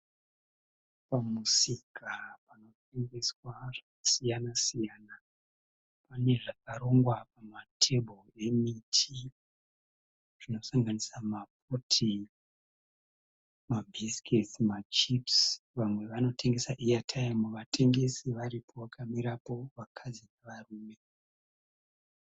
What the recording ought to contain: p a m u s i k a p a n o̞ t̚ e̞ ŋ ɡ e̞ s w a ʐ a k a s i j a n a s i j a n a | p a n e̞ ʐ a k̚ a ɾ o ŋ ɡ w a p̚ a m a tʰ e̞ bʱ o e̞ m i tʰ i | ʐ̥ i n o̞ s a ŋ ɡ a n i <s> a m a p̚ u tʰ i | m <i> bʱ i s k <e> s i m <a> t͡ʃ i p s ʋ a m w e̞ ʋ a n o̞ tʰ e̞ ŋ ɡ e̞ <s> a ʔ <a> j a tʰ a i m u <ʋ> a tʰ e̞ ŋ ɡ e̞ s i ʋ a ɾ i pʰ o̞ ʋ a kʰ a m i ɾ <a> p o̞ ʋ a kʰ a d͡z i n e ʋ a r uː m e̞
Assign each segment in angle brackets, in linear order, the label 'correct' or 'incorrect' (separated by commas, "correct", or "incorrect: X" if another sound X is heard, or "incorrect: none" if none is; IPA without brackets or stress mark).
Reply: correct, incorrect: a, correct, correct, correct, incorrect: i, correct, correct